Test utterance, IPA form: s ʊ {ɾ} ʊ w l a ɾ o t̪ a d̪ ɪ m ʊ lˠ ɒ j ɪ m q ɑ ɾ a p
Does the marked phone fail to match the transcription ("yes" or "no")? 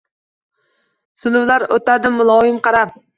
yes